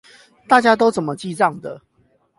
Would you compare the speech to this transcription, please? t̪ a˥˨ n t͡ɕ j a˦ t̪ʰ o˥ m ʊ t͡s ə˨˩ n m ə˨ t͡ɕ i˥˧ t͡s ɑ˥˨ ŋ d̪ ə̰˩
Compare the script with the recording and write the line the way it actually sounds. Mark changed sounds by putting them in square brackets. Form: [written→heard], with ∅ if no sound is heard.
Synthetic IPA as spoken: t̪ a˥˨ [n→∅] t͡ɕ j a˦ [t̪ʰ→t̪] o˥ [m→∅] ʊ t͡s ə˨˩ n m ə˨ t͡ɕ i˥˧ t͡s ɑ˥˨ ŋ d̪ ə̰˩